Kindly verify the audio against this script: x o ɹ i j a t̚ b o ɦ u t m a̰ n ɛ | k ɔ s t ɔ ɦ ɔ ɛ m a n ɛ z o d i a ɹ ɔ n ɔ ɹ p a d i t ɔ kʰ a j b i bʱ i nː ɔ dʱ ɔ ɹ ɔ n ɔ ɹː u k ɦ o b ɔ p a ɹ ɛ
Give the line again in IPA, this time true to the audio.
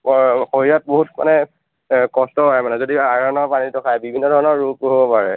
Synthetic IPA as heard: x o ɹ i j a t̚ b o ɦ u t m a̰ n ɛ | k ɔ s t ɔ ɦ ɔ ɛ m a n ɛ z o d i a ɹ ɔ n ɔ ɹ p a n i t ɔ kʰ a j b i bʱ i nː ɔ dʱ ɔ ɹ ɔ n ɔ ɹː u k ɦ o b ɔ p a ɹ ɛ